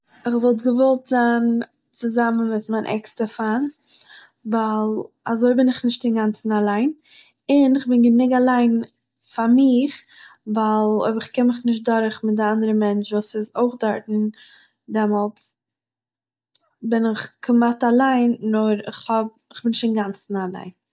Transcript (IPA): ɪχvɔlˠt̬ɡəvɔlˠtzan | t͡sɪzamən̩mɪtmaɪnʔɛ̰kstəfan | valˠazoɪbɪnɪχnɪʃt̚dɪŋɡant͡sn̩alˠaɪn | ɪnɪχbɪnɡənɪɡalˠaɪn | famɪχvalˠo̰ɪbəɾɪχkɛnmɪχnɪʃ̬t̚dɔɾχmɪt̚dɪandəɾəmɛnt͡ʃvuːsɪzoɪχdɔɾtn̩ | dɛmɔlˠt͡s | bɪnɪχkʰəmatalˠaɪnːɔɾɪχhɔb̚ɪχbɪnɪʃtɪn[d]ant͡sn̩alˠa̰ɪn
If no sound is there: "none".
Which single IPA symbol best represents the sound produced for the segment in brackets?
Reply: ɡ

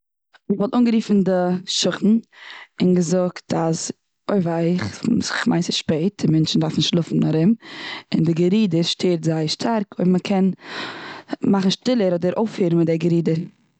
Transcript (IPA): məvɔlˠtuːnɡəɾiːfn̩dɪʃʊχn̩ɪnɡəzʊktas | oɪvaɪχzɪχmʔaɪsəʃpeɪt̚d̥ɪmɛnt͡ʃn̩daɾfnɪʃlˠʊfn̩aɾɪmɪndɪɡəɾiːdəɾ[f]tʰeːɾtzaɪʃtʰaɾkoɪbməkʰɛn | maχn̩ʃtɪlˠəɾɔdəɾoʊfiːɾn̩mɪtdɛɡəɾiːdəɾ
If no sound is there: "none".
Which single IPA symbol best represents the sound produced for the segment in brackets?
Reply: ʃ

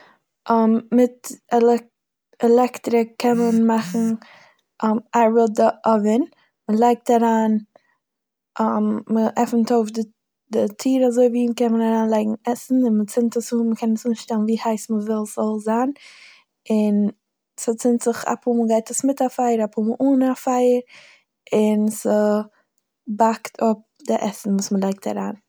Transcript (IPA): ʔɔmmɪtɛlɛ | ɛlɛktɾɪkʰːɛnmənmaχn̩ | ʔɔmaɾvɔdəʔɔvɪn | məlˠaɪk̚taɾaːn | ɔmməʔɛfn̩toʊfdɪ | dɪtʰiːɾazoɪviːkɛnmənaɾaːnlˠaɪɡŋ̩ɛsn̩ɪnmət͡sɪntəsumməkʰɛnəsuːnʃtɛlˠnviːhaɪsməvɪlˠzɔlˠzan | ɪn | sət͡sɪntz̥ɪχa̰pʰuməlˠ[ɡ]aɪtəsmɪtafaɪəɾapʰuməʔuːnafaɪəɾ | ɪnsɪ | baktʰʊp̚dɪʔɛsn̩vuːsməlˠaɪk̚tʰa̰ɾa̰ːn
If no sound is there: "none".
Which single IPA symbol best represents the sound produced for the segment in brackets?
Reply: ɡ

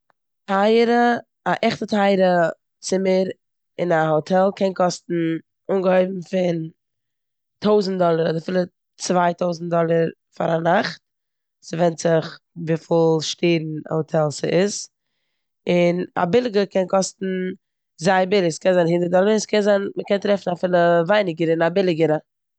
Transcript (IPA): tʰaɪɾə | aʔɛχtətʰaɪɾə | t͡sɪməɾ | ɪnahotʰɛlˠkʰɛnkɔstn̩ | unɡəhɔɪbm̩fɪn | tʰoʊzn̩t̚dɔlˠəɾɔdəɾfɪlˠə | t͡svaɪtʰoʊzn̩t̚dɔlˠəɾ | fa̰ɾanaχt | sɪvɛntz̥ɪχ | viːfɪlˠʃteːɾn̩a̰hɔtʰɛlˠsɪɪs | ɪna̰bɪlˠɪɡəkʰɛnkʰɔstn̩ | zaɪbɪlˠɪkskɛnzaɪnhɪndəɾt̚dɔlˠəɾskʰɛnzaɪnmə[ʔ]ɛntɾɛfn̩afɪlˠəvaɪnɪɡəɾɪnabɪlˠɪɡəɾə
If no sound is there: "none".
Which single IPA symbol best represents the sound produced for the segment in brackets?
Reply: k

